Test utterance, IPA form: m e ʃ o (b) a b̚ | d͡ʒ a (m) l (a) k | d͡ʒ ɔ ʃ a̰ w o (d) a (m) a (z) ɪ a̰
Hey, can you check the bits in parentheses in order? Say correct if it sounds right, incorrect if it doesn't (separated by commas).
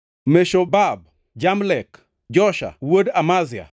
correct, correct, incorrect, correct, correct, correct